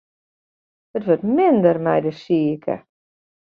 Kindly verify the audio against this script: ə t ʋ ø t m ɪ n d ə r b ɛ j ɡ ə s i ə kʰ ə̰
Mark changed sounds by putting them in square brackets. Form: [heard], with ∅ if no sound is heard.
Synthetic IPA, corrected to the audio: ə t ʋ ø t m ɪ n d ə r [m] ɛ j [d] ə s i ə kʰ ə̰